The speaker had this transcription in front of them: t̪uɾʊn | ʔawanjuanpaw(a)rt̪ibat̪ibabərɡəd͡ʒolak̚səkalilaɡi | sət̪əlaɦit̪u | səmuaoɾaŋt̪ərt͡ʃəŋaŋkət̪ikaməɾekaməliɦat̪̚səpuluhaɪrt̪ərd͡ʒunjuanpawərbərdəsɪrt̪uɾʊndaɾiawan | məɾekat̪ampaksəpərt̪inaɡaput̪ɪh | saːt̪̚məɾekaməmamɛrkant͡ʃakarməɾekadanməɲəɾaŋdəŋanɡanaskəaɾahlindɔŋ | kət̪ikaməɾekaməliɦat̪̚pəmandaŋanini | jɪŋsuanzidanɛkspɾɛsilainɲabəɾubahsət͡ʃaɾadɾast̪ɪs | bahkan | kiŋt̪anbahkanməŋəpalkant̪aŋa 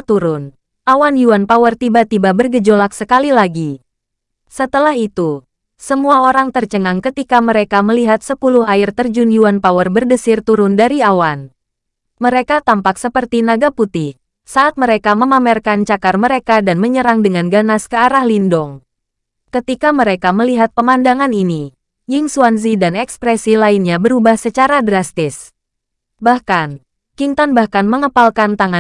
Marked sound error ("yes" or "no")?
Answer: yes